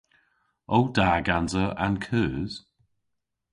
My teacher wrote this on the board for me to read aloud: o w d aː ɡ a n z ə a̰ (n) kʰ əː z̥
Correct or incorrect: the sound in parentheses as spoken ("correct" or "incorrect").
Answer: correct